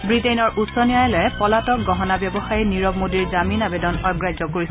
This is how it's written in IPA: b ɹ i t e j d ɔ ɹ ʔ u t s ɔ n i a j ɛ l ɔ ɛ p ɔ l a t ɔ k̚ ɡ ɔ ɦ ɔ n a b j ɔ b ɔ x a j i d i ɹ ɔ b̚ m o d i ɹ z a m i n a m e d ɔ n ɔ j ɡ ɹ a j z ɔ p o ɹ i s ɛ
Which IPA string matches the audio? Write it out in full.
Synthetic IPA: b ɹ i t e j n ɔ ɹ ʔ u t s ɔ n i a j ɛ l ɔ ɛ p ɔ l a t ɔ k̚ ɡ ɔ ɦ ɔ n a b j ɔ b ɔ x a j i n i ɹ ɔ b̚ m o d i ɹ z a m i n a b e d ɔ n ɔ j ɡ ɹ a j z ɔ k o ɹ i s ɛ